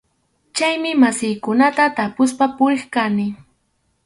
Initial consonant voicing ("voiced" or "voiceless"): voiceless